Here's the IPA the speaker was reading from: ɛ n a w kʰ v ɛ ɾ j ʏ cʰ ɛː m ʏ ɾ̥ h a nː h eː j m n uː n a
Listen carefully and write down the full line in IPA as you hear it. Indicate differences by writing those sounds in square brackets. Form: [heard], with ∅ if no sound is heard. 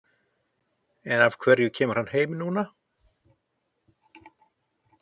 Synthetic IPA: ɛ n a [v] kʰ v ɛ ɾ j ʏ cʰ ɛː m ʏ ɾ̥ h a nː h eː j m n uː n a